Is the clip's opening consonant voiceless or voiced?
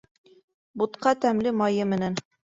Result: voiced